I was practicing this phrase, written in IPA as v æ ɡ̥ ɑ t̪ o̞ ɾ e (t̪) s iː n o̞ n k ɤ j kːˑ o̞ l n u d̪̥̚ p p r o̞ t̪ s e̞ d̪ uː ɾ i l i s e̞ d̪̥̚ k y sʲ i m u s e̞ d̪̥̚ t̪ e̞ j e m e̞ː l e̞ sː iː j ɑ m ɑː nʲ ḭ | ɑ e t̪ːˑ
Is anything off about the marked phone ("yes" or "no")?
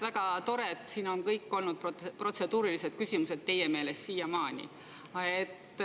no